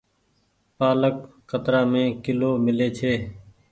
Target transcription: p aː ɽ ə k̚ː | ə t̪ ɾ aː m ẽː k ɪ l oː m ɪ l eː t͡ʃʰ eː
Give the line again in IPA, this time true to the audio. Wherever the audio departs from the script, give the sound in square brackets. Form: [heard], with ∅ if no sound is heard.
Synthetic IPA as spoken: p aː [l] ə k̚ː | ə t̪ ɾ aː m ẽː k ɪ l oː m ɪ l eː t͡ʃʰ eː